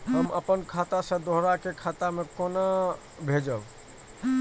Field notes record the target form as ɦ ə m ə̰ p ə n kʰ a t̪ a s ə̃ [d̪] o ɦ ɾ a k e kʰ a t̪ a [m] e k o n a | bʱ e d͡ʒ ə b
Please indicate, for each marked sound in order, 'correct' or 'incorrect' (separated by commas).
correct, correct